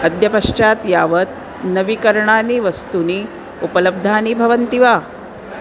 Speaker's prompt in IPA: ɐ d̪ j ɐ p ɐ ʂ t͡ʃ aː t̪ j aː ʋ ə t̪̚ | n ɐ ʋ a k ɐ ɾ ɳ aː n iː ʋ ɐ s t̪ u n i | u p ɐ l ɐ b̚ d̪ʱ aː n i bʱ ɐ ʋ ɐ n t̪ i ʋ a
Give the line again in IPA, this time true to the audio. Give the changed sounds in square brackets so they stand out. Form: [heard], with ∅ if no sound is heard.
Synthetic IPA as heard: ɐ d̪ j ɐ p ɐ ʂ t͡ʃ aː t̪ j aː ʋ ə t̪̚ | n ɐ ʋ [i] k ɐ ɾ ɳ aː n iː ʋ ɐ s t̪ u n i | u p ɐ l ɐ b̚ d̪ʱ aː n i bʱ ɐ ʋ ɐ n t̪ i ʋ a